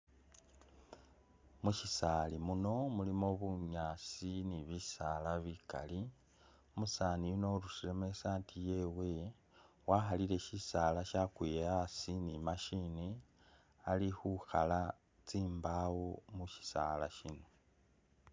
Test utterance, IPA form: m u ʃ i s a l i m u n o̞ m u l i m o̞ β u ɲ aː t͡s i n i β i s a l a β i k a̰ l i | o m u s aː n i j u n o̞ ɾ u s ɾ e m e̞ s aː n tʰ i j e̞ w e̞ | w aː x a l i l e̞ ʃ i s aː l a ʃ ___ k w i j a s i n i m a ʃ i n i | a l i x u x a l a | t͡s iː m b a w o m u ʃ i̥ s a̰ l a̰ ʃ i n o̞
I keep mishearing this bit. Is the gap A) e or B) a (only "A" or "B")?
B